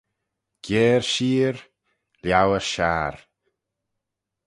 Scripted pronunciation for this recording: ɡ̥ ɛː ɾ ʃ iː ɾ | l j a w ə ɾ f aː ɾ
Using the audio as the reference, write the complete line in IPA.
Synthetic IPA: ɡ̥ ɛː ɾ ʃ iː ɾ | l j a w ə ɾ ʃ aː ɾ